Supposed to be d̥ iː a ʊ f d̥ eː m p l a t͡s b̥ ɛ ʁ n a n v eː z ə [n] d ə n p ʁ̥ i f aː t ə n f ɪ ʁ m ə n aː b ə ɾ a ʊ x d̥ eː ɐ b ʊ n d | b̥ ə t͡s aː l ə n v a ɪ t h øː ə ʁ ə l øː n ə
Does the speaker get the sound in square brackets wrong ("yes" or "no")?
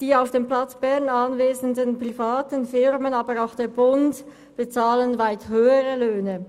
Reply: no